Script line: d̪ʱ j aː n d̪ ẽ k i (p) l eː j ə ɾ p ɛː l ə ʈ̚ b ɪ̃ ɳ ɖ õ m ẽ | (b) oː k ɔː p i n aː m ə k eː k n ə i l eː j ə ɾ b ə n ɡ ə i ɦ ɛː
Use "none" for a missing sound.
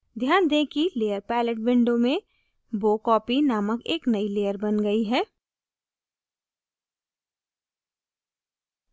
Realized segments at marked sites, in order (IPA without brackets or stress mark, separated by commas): none, b